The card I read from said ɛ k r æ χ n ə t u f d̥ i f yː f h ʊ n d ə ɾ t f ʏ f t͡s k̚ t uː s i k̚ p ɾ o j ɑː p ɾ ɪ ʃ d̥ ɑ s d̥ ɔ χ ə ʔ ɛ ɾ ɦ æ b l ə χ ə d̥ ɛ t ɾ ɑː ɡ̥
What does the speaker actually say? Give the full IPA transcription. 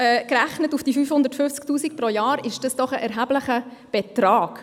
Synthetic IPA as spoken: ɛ k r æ χ n ə t u f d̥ i f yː f h ʊ n d ə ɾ t f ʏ f t͡s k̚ t uː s i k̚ p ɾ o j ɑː ɾ ɪ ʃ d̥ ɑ s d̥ ɔ χ ə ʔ ɛ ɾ ɦ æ b l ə χ ə b̥ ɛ t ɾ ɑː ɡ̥